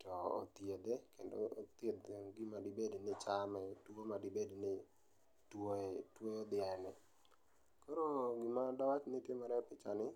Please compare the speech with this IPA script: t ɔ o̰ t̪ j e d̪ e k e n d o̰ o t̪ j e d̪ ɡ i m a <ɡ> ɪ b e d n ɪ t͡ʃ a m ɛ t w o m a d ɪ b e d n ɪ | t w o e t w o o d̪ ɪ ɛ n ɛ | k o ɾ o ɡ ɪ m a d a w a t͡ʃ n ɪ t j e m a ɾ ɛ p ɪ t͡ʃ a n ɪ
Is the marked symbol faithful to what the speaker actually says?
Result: no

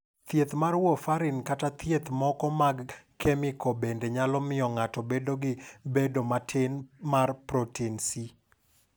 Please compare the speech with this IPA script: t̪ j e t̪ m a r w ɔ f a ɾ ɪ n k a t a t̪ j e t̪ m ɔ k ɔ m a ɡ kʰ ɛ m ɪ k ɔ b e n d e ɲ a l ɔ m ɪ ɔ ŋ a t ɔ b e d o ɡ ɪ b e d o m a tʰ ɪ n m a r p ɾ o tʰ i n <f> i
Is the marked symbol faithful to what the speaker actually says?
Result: no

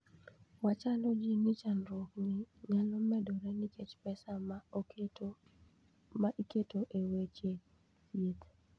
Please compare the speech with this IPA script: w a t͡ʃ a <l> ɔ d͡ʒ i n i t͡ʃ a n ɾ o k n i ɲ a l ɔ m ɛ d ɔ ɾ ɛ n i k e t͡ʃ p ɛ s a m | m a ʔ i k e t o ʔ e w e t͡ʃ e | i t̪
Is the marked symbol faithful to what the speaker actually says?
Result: yes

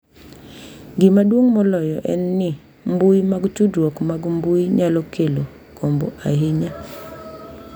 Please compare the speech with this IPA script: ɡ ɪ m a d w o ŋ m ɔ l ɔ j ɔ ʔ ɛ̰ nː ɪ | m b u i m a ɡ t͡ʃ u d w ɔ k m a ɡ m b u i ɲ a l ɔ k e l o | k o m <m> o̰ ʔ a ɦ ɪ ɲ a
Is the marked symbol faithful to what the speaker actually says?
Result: no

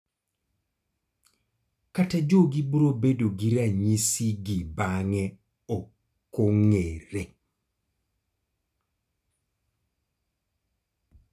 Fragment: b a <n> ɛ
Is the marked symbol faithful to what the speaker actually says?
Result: no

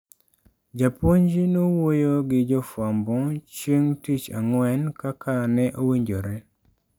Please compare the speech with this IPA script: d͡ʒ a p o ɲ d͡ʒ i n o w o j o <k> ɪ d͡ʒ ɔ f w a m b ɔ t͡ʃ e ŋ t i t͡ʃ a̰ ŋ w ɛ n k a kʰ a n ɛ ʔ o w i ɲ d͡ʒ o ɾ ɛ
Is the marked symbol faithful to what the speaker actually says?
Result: no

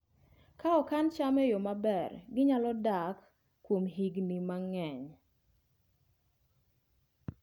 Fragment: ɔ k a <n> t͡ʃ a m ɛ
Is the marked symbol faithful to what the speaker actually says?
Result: yes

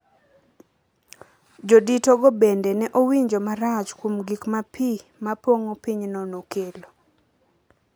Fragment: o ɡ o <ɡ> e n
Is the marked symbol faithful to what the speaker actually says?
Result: no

